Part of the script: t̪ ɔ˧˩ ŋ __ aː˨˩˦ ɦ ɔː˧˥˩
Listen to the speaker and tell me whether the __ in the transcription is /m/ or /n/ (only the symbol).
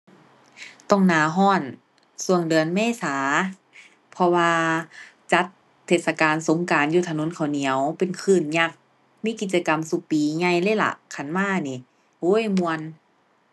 n